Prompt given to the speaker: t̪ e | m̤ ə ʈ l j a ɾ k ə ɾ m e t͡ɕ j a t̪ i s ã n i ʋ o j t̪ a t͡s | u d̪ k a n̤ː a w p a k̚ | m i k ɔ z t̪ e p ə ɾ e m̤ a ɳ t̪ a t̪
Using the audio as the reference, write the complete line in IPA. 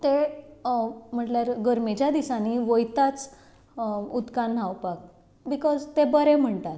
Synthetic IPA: t̪ e | m̤ ə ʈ l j a ɾ ɡ ə ɾ m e t͡ɕ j a d̪ i s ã n i ʋ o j t̪ a t͡s | u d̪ k a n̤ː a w p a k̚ | b i k ɔ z t̪ e b ə ɾ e m̤ ə ɳ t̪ a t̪